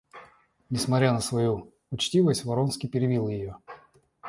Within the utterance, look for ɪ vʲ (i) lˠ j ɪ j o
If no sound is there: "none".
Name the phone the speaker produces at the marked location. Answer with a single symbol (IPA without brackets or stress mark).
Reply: i